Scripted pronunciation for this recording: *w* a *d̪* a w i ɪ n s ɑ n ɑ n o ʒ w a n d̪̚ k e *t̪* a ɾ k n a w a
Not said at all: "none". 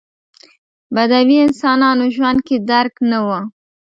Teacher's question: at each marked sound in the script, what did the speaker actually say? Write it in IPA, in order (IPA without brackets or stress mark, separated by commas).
b, d̪, d̪